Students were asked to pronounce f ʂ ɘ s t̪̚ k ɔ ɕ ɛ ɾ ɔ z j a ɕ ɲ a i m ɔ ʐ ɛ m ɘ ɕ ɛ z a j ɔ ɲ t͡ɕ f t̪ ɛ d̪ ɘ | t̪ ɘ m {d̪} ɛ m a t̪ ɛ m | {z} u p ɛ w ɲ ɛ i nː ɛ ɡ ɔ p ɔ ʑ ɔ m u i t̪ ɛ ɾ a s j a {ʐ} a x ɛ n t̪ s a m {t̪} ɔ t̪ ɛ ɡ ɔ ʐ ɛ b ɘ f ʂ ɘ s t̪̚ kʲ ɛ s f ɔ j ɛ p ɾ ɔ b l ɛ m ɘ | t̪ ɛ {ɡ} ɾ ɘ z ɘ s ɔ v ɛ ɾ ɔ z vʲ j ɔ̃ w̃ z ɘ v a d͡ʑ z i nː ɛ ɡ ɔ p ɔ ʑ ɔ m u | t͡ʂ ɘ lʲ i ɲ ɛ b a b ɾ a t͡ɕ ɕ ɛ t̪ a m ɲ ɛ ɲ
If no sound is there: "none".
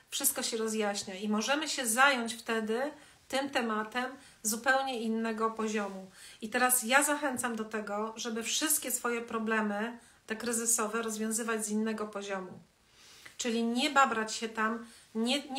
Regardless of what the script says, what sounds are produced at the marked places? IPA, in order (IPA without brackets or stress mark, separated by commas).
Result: t̪, z, z, d̪, k